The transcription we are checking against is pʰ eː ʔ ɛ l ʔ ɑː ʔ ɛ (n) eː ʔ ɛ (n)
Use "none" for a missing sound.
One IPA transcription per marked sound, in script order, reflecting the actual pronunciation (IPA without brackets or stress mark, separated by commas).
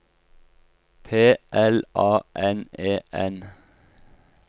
n, n